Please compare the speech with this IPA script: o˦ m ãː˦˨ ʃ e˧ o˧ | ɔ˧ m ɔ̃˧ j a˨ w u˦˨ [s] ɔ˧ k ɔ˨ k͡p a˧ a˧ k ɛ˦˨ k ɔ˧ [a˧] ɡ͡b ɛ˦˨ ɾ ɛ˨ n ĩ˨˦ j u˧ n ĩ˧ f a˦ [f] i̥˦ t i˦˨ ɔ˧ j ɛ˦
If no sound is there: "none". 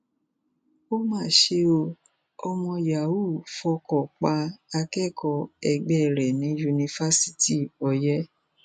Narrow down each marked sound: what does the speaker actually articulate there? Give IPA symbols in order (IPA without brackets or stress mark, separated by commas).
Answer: f, ɛ˧, s